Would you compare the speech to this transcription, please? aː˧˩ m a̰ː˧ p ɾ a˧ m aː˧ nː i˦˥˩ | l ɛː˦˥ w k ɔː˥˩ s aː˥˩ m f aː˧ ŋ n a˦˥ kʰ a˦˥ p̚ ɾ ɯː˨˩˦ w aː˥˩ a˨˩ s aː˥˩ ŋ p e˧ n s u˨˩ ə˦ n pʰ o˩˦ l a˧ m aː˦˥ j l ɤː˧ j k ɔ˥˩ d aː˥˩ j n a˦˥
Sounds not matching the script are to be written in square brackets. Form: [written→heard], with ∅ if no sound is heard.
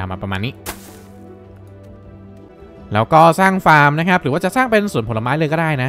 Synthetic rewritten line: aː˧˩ m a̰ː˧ p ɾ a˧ m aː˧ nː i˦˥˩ | l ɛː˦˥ w k ɔː˥˩ s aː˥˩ [m→ŋ] f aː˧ [ŋ→m] n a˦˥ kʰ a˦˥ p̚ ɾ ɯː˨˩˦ w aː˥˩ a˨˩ s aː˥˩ ŋ p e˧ n s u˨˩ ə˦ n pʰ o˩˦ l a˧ m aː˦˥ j l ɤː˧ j k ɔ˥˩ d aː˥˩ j n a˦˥